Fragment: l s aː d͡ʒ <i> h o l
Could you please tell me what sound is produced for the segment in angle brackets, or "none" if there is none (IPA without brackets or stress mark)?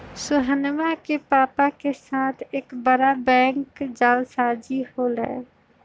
i